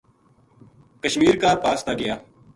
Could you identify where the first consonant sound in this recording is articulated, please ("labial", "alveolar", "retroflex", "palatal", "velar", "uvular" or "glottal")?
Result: velar